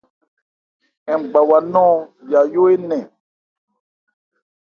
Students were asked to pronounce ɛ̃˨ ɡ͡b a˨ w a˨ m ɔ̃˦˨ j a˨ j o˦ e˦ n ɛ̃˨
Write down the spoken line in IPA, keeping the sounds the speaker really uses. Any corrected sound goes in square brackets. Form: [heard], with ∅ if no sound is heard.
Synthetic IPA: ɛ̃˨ ɡ͡b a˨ w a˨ [n] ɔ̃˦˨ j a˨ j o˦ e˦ n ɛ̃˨